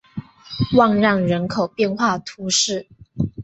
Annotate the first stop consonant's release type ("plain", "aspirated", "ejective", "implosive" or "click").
aspirated